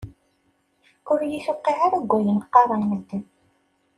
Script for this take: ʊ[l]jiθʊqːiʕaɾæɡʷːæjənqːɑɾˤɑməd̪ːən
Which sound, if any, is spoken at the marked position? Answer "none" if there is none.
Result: ɾ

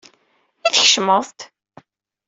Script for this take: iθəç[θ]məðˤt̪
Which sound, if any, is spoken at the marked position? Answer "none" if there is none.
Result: ʃ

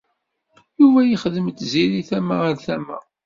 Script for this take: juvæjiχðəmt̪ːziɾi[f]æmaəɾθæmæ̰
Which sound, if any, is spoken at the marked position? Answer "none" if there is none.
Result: θ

